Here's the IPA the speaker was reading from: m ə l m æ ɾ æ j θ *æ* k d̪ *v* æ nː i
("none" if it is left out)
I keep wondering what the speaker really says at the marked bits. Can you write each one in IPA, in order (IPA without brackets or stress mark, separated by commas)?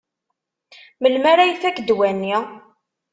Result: æ, w